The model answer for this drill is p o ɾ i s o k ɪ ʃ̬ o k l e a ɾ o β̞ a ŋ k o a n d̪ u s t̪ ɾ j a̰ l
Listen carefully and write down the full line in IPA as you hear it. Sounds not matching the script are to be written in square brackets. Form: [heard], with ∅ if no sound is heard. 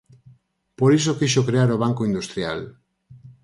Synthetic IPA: p o ɾ i s o k [i] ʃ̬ o k [ɾ] e a ɾ o β̞ a ŋ k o [i] n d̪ u s t̪ ɾ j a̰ l